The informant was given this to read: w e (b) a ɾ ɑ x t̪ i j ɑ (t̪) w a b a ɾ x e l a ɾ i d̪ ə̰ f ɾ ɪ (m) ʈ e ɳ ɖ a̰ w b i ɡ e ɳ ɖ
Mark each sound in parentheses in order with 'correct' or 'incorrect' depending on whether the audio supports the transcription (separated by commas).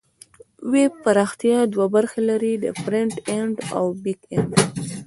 incorrect, incorrect, incorrect